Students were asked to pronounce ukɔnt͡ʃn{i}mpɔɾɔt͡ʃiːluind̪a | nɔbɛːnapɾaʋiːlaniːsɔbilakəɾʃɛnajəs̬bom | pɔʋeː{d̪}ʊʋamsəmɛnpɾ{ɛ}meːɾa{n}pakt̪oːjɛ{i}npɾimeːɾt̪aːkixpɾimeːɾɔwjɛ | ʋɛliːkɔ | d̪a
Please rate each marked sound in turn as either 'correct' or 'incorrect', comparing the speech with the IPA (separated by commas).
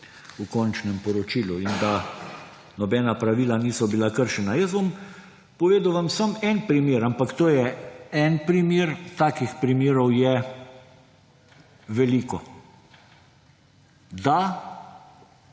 incorrect, correct, incorrect, incorrect, incorrect